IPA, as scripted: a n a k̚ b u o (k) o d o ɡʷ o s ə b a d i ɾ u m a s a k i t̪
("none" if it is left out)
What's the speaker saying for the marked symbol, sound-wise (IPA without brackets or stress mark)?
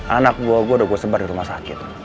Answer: ɡ